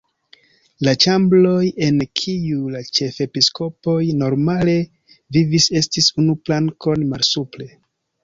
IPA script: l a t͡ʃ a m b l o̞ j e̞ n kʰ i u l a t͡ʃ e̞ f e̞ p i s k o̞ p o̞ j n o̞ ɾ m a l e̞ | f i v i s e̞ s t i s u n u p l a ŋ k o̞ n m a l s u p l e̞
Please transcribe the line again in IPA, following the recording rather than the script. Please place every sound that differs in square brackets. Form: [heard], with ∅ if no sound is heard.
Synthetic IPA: l a t͡ʃ a m b l o̞ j e̞ n kʰ i u l a t͡ʃ e̞ f e̞ p i s k o̞ p o̞ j n o̞ ɾ m a l e̞ | [v] i v i s e̞ s t i s u n u p l a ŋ k o̞ n m a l s u p l e̞